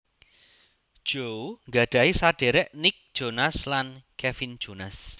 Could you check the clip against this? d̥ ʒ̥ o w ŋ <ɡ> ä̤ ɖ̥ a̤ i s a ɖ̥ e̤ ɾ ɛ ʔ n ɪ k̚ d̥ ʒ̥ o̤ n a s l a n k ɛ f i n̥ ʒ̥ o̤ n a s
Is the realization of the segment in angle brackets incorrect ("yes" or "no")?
no